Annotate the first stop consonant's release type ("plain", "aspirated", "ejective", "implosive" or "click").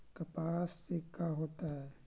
plain